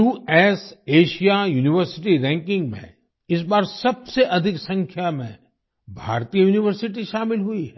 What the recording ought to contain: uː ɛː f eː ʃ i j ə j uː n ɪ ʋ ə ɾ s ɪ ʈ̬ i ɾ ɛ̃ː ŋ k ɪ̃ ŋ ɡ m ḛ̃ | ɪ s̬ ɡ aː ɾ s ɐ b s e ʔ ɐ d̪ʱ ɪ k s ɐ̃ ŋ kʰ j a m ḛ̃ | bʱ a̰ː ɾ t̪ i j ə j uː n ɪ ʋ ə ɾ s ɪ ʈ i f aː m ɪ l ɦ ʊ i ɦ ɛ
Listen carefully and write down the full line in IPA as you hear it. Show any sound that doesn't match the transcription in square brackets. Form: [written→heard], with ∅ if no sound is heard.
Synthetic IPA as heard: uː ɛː [f→s] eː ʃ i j [ə→a] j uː n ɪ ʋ ə ɾ s ɪ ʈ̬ i ɾ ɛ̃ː ŋ k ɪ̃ ŋ ɡ m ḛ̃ | ɪ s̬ [ɡ→b] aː ɾ s ɐ b s e ʔ ɐ d̪ʱ ɪ k s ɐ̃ ŋ kʰ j a m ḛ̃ | bʱ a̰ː ɾ t̪ i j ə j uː n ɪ ʋ ə ɾ s ɪ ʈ i [f→ʃ] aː m ɪ l ɦ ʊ i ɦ ɛ